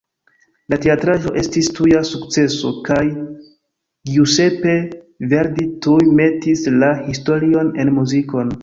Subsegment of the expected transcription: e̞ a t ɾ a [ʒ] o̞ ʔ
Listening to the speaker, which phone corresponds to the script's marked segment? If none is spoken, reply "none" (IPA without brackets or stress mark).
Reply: ʒ